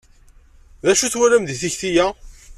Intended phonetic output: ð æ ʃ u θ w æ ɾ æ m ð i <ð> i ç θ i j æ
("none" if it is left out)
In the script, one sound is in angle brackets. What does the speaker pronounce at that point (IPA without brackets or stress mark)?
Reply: θ